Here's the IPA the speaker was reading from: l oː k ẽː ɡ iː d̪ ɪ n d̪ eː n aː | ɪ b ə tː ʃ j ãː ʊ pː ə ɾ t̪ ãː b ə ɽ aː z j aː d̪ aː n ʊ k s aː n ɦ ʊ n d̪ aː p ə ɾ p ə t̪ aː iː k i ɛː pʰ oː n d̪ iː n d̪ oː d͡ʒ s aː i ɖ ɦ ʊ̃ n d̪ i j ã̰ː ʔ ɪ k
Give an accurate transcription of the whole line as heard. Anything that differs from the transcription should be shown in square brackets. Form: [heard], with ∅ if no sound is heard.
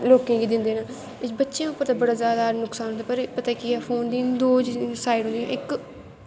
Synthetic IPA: l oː k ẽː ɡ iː d̪ ɪ n d̪ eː n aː | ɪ b ə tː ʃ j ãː ʊ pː ə ɾ t̪ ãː b ə ɽ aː z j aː d̪ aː n ʊ k s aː n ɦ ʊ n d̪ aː p ə ɾ p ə t̪ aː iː k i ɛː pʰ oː n d̪ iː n d̪ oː d͡ʒ s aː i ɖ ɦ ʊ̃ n d̪ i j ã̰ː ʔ ɪ k